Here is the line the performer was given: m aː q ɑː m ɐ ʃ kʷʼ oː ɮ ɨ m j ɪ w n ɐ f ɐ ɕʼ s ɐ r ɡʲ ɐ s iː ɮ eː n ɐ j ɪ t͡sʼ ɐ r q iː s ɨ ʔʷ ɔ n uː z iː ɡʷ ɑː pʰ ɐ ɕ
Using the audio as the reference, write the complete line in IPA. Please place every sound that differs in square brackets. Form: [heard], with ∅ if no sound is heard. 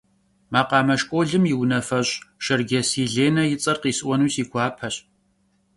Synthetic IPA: m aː q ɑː m ɐ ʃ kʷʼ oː ɮ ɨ m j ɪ w n ɐ f ɐ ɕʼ [ʃ] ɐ r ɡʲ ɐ s iː ɮ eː n ɐ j ɪ t͡sʼ ɐ r q iː s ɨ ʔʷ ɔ n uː [s] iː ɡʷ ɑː pʰ ɐ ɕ